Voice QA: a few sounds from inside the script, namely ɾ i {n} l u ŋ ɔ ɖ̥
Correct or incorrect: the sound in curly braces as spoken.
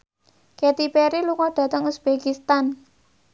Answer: incorrect: none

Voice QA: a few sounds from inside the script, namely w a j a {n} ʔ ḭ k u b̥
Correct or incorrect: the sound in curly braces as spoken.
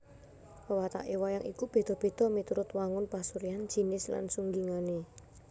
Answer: incorrect: ŋ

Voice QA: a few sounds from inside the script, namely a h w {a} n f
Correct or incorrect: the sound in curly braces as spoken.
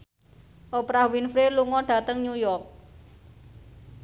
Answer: incorrect: i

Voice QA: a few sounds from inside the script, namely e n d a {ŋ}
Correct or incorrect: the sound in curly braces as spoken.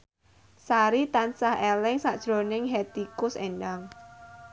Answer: correct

